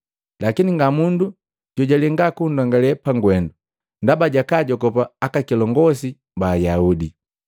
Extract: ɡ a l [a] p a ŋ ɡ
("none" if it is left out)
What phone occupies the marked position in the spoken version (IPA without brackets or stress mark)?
ɛ